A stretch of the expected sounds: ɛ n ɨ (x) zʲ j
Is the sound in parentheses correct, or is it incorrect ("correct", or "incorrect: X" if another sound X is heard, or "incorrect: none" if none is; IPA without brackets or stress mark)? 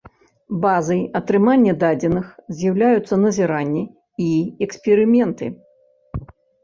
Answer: correct